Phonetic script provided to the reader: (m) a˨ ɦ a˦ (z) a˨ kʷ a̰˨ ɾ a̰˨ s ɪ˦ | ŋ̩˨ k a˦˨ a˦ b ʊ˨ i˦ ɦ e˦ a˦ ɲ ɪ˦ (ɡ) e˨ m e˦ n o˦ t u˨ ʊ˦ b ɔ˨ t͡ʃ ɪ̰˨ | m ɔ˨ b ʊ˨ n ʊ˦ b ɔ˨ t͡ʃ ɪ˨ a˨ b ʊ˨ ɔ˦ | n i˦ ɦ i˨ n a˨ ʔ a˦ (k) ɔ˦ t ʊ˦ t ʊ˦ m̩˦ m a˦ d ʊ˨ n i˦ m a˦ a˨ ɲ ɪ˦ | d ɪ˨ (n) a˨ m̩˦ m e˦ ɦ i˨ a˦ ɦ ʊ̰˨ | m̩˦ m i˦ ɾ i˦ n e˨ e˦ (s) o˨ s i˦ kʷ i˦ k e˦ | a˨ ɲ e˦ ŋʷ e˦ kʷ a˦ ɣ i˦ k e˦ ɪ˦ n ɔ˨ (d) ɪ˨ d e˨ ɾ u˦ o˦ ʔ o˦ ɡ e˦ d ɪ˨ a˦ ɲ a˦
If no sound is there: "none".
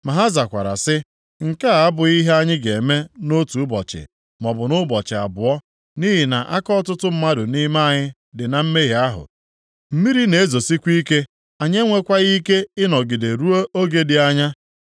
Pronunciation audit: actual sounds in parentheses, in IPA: m, z, ɡ, k, n, z, ɡ

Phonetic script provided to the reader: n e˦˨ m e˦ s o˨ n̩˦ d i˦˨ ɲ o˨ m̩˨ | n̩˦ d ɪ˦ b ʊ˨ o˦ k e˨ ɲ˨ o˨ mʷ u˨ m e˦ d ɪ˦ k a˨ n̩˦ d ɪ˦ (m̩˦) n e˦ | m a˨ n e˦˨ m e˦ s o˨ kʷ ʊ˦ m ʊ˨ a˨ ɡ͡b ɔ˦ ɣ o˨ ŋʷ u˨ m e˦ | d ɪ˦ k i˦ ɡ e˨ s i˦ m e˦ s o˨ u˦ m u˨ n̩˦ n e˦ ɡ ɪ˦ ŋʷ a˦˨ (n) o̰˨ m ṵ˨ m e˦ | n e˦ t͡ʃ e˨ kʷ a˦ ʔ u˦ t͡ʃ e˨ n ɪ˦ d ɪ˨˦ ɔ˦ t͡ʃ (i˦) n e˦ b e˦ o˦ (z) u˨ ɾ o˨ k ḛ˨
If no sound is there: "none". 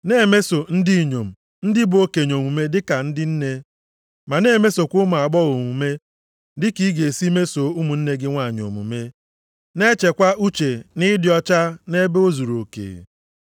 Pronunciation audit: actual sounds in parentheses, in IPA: n̩˦, ɲ, a˦, z

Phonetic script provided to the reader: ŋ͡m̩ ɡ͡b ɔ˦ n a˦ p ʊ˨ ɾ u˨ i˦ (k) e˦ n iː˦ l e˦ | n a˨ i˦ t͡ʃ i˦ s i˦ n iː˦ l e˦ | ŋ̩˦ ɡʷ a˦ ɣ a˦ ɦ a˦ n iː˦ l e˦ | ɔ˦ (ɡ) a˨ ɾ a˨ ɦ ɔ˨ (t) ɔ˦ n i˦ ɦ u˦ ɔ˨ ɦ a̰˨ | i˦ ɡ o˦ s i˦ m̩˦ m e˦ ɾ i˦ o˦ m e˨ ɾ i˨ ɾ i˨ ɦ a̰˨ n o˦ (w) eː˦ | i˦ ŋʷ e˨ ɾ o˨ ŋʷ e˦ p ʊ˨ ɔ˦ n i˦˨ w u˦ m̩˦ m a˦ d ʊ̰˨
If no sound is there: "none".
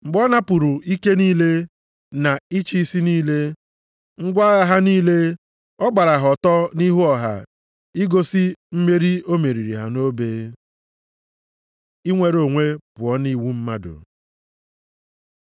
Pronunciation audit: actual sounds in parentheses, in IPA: k, ɡ͡b, t, b

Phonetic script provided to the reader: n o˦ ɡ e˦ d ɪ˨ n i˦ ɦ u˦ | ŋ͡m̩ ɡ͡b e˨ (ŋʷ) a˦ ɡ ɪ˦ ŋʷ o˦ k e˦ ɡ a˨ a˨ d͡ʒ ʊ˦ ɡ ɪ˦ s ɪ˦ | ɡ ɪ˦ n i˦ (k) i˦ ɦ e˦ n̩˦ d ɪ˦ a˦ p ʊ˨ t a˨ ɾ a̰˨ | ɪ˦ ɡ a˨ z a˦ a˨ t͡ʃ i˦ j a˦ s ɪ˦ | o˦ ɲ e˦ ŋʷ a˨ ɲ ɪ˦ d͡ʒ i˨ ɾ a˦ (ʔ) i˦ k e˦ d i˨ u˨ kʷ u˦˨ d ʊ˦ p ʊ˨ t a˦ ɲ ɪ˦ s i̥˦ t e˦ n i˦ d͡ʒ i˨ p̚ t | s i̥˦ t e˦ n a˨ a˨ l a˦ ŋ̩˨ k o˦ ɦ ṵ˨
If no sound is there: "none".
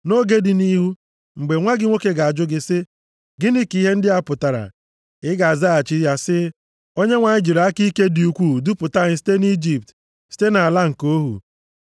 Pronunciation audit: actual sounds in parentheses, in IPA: ŋʷ, k, k

